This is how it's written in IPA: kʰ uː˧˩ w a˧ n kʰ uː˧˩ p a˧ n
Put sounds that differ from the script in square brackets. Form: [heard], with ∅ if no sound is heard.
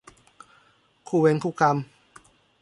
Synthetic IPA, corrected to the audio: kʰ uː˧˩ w [e˧] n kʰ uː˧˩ [k] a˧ [m]